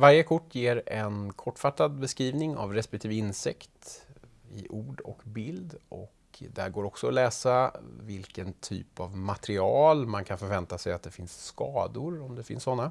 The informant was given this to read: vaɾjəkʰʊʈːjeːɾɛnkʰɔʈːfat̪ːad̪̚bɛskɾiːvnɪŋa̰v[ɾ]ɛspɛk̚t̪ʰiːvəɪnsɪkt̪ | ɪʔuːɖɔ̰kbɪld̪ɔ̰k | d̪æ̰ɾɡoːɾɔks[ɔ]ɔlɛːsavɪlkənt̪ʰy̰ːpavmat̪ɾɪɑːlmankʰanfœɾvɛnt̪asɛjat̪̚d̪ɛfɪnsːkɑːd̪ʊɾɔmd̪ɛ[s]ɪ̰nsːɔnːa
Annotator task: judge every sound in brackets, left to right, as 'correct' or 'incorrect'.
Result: correct, correct, incorrect: f

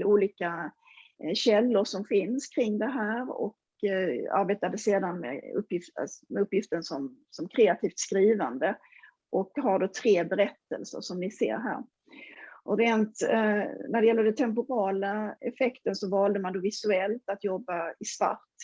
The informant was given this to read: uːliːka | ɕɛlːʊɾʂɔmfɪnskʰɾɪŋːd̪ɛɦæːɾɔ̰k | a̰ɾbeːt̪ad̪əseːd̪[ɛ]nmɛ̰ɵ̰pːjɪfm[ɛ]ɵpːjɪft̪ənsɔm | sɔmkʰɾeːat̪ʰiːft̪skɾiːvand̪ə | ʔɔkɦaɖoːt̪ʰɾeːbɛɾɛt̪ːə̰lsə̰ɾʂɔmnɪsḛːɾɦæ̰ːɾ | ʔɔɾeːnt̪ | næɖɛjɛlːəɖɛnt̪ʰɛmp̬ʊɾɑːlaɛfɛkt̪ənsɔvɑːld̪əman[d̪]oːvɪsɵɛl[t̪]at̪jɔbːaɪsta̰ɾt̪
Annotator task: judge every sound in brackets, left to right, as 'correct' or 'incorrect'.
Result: incorrect: a, correct, correct, correct

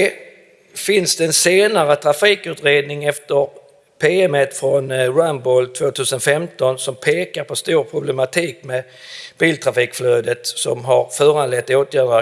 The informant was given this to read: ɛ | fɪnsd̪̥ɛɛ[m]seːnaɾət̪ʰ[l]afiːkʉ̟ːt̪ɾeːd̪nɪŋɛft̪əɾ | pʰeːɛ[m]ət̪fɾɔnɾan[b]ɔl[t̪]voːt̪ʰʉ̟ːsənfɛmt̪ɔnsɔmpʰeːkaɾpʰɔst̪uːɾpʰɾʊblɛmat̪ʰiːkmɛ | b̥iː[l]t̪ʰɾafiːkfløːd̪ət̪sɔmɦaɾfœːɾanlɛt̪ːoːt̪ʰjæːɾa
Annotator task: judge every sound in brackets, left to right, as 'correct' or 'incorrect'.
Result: incorrect: n, incorrect: ɾ, correct, correct, incorrect: t̪ʰ, correct

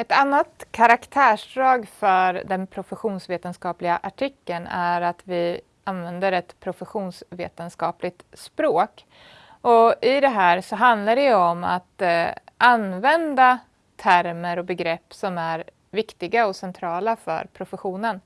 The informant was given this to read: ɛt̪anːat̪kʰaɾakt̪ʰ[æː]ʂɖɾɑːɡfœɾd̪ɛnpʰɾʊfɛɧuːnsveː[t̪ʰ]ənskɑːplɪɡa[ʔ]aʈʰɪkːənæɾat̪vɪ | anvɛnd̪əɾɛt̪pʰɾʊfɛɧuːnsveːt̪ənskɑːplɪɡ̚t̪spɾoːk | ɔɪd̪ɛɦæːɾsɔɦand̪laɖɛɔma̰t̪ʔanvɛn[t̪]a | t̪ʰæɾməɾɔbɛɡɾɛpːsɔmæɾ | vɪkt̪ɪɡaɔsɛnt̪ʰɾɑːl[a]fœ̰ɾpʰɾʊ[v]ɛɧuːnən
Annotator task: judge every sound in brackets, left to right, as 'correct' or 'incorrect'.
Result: correct, incorrect: t̪, correct, incorrect: d̪, correct, incorrect: f

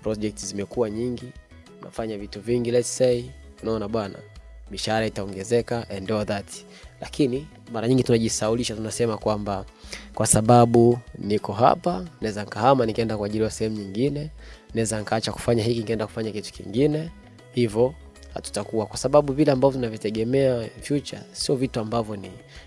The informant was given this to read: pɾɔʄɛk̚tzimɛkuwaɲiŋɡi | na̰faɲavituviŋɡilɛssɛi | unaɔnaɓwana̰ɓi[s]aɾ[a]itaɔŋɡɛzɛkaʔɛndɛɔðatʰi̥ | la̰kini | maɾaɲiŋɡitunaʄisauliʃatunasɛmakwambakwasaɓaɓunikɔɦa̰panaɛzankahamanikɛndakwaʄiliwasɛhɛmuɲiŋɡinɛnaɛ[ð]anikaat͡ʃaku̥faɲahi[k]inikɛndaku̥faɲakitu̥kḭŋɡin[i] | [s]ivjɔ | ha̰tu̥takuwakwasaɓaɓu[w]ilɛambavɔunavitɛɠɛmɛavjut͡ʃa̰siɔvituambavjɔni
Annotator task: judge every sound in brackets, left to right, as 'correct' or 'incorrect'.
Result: incorrect: ʃ, correct, incorrect: z, correct, incorrect: ɛ, incorrect: h, incorrect: v

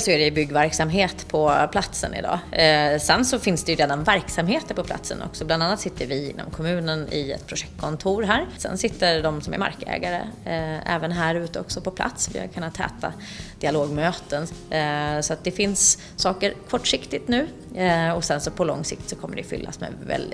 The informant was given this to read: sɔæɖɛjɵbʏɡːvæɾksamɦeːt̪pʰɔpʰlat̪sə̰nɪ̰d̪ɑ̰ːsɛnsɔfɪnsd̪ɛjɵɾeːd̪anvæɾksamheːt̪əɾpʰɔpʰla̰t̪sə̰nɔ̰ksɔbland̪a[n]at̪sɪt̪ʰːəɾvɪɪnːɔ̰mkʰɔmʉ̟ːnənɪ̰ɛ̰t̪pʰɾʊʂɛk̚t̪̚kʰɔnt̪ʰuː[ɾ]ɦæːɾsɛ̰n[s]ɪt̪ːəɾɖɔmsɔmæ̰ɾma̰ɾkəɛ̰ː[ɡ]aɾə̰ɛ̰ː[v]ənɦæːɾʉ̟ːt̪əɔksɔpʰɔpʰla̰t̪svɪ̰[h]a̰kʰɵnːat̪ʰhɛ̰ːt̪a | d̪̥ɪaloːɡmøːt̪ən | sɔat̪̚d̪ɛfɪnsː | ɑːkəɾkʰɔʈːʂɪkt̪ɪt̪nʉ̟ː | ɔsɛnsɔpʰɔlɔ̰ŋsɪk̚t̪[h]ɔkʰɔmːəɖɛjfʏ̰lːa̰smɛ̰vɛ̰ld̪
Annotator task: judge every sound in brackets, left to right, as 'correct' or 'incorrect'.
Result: incorrect: nː, correct, correct, correct, correct, correct, incorrect: s

